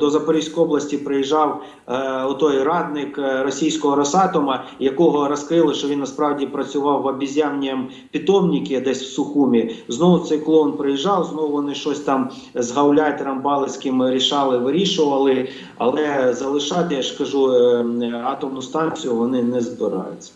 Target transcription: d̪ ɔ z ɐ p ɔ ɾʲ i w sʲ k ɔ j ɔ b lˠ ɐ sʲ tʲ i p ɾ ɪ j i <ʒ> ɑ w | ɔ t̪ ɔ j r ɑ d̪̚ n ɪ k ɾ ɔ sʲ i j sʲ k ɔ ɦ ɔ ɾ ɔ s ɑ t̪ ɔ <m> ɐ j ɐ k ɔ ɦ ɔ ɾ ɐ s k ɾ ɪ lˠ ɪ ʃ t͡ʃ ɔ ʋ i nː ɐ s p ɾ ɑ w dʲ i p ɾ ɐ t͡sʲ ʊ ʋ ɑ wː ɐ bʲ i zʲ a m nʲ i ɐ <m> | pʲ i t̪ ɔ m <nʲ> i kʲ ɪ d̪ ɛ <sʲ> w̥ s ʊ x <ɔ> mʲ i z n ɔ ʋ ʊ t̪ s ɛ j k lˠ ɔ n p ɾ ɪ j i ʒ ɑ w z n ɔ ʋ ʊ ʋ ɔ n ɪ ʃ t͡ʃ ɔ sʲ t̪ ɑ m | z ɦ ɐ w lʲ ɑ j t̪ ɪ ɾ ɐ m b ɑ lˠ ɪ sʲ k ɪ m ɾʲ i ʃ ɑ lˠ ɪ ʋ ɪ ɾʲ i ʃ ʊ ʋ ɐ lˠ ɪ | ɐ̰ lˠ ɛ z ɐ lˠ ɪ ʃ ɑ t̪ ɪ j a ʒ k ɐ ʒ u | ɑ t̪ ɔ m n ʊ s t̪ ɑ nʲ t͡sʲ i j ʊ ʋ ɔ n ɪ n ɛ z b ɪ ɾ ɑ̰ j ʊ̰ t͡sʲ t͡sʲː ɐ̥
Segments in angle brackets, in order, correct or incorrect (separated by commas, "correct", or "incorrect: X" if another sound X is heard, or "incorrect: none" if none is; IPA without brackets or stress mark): correct, correct, correct, correct, correct, incorrect: u